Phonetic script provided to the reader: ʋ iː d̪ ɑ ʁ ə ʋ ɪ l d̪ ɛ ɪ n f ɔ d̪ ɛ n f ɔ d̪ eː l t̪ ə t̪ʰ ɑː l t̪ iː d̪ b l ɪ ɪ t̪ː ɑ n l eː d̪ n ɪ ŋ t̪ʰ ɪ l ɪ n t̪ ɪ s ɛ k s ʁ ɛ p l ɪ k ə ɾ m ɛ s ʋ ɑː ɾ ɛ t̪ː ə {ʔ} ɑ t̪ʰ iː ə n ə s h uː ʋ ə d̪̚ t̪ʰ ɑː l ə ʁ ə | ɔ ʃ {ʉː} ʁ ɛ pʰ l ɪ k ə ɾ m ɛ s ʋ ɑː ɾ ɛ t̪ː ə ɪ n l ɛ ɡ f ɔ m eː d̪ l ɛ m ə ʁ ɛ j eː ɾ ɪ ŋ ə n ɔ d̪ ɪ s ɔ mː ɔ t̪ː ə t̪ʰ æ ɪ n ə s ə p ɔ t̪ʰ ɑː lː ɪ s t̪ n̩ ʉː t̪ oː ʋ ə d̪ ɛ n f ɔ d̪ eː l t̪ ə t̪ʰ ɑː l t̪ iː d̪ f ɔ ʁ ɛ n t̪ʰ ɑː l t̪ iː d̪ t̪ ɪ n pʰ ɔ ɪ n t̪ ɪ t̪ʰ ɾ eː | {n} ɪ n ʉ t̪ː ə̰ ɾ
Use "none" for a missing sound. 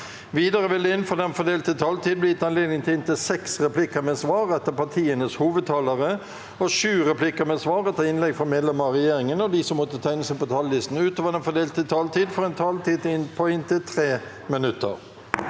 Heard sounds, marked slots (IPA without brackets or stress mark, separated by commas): p, ʉː, m